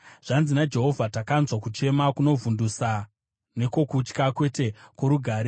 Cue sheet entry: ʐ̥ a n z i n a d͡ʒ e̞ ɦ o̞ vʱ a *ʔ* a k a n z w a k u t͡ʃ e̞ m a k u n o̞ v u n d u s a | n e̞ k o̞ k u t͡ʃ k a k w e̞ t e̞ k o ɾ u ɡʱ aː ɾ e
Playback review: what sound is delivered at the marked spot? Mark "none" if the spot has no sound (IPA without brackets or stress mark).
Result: t